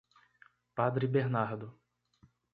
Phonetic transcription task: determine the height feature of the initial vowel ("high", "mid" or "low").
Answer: low